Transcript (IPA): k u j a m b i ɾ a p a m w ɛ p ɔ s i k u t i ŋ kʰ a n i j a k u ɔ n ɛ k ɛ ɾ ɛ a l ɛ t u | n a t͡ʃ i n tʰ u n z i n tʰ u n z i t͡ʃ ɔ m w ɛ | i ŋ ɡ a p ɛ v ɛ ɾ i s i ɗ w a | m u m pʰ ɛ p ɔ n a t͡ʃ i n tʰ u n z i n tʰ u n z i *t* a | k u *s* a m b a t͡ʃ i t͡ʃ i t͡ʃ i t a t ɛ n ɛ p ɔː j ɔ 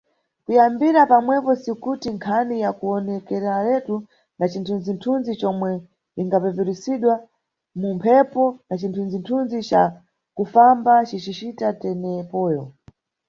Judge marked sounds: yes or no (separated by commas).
no, no